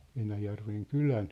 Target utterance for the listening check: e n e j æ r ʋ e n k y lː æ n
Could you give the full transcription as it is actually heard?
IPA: e n æ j æ r ʋ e ŋ k y l æ n